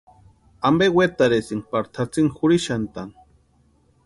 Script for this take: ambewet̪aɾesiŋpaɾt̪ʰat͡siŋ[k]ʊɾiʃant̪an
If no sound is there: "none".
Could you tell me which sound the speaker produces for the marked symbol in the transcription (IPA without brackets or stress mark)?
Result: x